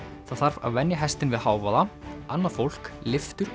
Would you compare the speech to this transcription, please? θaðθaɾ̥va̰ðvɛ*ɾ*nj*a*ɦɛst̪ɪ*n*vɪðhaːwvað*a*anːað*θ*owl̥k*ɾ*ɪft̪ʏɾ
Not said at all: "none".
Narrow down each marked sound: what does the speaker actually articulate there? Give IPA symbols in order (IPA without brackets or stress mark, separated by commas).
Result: none, a, n, a, f, l